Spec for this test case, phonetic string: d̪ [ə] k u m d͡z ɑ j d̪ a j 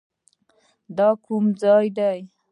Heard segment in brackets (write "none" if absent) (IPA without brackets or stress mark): ɑ